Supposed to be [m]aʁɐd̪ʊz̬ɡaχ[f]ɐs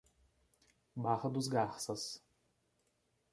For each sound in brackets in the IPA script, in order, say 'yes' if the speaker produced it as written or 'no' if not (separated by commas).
no, no